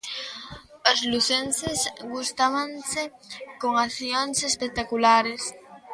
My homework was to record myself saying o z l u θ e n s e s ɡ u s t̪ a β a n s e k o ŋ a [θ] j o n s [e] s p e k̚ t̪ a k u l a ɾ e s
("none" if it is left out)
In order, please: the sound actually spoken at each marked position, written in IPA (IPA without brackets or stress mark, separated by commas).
θ, e